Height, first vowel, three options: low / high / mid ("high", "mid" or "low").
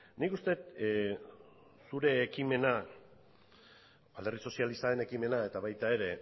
high